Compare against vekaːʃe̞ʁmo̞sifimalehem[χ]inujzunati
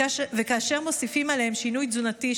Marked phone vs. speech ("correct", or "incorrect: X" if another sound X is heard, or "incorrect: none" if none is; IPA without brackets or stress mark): incorrect: ʃ